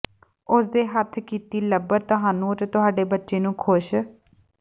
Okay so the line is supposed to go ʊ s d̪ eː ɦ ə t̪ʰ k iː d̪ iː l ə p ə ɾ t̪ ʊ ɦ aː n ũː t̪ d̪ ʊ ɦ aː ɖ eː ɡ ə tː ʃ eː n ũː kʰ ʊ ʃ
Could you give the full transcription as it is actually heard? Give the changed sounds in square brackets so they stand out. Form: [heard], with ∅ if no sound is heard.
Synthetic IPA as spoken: ʊ s d̪ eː ɦ ə t̪ʰ k iː [t̪] iː l ə [b] ə ɾ t̪ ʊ ɦ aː n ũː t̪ [t̪] ʊ ɦ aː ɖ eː [b] ə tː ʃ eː n ũː kʰ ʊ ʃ